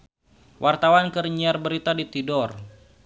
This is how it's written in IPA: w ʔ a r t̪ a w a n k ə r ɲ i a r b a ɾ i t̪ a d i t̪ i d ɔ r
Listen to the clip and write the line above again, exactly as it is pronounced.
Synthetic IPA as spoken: w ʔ a r t̪ a w a n k ə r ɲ i a r b ə ɾ i t̪ a d i t̪ i d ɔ r